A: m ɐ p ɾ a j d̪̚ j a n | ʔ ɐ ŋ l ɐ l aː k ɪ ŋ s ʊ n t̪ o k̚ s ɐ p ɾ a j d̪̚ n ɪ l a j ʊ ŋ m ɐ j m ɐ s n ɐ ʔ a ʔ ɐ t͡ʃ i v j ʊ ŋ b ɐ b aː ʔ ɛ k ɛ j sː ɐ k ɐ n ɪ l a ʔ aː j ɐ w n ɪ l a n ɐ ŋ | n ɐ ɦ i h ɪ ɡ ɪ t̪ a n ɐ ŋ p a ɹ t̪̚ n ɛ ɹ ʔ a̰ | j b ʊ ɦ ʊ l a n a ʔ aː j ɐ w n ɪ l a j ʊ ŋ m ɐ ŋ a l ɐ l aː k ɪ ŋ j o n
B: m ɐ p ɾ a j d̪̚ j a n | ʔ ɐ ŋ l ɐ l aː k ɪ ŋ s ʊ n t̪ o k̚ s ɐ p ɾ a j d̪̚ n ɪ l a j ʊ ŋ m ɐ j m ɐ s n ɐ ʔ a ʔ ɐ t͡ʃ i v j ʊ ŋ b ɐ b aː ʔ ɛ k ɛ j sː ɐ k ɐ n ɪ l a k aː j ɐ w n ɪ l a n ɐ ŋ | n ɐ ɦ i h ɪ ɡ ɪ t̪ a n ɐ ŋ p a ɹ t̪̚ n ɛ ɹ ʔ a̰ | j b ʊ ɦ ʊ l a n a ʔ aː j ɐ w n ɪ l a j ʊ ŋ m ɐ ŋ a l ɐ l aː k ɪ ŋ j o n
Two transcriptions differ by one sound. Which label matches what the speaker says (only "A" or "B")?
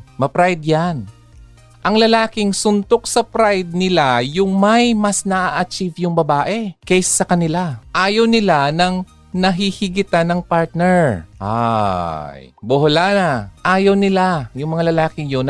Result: A